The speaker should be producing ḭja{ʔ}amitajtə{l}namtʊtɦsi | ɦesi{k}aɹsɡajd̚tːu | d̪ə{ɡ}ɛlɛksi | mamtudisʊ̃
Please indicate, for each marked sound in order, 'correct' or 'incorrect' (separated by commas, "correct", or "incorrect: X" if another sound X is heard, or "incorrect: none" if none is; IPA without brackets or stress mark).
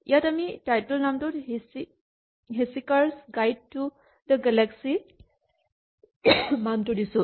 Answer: incorrect: t, correct, correct, correct